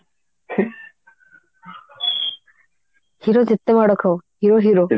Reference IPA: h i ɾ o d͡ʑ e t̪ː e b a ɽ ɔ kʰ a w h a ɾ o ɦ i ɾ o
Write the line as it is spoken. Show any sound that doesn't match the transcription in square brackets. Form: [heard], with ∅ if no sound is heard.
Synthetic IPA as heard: h i ɾ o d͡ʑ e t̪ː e [m] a ɽ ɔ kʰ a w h [i] ɾ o ɦ i ɾ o